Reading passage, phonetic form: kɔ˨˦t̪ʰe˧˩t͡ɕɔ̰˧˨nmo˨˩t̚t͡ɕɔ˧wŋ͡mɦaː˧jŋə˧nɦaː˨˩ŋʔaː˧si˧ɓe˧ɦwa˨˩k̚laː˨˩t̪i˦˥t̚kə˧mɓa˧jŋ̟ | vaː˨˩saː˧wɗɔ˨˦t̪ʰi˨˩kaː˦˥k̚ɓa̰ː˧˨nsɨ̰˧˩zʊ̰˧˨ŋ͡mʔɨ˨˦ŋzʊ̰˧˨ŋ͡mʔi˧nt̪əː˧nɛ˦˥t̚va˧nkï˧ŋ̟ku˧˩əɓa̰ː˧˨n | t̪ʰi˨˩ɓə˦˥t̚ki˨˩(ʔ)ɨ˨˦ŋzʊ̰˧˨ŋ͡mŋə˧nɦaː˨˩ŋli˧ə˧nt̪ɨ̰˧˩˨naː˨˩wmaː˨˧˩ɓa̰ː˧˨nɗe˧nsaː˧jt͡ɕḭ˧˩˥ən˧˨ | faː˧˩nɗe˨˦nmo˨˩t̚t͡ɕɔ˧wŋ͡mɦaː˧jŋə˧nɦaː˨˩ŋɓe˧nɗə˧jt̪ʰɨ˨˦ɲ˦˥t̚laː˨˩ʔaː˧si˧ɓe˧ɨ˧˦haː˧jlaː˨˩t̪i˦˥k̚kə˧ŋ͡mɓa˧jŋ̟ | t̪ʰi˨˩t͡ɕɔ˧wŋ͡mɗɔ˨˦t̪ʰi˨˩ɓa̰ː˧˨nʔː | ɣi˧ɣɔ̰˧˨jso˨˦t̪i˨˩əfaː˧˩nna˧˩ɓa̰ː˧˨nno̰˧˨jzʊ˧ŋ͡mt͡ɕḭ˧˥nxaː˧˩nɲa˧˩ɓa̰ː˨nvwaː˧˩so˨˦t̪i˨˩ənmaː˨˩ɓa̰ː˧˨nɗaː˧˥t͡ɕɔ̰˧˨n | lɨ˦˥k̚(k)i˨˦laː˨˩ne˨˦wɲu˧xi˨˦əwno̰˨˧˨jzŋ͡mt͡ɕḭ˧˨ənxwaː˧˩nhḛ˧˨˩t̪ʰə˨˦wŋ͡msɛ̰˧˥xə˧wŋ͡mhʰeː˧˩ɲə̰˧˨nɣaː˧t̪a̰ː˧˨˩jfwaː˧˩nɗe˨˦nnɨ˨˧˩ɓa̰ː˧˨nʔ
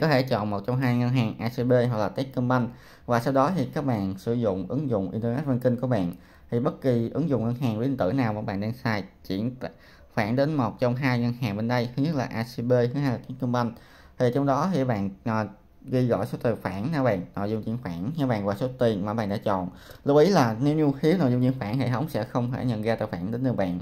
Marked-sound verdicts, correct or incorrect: correct, incorrect: ʔ

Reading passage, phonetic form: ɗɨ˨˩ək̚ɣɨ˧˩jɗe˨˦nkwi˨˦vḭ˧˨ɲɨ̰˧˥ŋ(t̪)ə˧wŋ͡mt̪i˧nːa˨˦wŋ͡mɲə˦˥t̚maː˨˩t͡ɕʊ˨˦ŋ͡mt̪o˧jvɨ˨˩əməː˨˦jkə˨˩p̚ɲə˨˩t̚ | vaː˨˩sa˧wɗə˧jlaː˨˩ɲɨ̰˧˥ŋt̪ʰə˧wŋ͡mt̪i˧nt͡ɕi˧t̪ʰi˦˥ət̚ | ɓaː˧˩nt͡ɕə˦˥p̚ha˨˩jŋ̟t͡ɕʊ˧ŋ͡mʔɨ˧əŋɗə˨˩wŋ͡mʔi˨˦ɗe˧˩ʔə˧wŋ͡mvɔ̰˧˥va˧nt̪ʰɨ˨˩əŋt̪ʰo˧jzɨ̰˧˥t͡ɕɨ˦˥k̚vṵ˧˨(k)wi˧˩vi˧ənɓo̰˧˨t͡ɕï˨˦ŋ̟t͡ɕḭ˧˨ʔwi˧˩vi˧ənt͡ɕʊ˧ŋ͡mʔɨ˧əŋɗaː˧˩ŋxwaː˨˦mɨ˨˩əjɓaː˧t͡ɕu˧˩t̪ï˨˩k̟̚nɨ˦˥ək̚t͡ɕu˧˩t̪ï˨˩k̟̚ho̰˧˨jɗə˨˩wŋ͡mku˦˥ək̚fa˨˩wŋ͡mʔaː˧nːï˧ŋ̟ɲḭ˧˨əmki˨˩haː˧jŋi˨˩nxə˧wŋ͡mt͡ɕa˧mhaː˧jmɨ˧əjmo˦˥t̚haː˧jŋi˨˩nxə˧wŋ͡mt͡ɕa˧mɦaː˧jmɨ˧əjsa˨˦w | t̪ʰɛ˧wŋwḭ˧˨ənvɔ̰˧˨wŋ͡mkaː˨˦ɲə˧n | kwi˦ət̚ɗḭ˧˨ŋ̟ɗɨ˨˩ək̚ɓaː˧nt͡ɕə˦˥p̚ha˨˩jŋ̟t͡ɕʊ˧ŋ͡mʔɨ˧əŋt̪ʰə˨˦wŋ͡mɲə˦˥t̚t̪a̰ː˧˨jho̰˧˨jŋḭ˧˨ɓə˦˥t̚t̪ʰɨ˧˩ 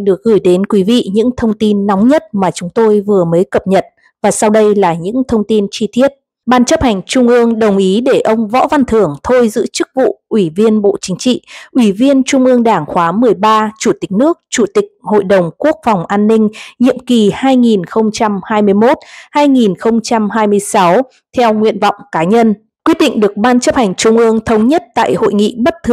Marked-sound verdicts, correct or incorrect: incorrect: t̪ʰ, incorrect: ʔ

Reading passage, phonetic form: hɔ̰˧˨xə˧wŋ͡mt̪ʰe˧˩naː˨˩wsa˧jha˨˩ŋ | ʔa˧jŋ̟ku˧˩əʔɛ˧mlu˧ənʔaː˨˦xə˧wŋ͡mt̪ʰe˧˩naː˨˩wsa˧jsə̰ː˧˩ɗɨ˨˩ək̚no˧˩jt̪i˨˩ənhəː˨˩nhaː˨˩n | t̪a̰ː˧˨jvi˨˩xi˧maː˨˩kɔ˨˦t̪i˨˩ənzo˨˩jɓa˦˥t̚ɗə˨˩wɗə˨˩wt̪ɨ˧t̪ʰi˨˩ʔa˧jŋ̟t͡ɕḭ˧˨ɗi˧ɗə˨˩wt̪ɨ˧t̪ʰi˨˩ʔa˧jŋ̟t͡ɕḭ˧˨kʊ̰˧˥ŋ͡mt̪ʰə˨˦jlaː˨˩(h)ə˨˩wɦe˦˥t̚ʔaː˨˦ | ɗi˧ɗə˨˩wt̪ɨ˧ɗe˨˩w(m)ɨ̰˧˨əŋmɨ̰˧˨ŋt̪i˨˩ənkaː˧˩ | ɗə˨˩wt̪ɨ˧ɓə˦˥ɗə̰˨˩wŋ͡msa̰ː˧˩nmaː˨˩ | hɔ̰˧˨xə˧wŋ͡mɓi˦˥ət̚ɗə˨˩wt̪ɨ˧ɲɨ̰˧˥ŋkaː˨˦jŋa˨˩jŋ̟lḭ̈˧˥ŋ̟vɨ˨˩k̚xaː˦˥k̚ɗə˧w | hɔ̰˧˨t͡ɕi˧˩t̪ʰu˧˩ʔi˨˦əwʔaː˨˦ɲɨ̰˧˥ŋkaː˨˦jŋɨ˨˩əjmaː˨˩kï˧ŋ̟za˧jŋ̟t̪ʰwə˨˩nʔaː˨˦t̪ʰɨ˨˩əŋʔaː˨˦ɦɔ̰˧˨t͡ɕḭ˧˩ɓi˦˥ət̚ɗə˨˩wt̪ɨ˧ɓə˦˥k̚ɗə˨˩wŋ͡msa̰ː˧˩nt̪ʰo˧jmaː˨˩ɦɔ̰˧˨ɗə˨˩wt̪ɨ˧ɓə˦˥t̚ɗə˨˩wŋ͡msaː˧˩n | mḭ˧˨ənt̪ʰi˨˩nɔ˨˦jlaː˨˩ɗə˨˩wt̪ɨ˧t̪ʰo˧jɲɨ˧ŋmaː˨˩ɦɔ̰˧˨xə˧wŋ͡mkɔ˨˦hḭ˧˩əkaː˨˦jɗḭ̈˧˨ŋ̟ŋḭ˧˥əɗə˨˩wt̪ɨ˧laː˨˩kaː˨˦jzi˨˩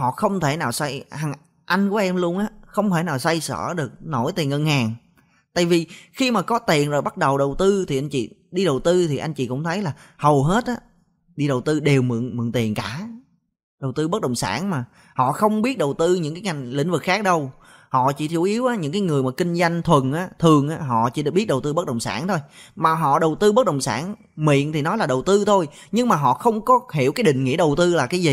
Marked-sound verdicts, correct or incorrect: correct, correct

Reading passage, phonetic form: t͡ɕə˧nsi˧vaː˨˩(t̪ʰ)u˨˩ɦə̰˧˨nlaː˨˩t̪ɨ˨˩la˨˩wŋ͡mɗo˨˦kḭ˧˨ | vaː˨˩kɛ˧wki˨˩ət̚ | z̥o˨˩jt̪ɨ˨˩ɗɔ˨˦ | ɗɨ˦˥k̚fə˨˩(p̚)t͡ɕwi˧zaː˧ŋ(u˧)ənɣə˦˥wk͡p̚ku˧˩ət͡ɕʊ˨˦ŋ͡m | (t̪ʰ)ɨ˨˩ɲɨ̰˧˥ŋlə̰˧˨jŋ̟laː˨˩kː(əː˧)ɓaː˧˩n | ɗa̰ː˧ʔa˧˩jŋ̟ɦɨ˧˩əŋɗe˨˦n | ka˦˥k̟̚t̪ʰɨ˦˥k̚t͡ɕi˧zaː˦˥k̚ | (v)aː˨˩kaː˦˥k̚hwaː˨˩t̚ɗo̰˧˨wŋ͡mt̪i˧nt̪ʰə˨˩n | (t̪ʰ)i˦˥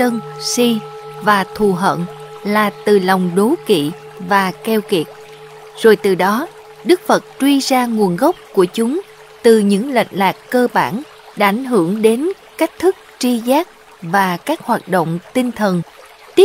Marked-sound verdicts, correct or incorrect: correct, incorrect: t̚, incorrect: u˨˩, incorrect: t̪, correct, correct, incorrect: t̪

